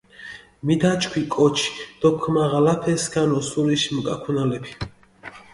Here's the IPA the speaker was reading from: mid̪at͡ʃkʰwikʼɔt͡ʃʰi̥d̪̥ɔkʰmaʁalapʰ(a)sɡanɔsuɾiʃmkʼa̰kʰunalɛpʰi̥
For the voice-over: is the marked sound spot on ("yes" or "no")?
no